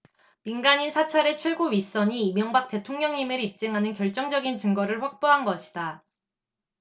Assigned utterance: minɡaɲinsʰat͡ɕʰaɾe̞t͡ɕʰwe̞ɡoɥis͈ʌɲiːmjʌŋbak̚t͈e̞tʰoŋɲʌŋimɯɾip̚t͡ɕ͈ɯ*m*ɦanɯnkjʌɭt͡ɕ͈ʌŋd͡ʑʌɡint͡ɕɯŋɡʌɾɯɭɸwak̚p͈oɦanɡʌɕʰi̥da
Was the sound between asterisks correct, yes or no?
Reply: no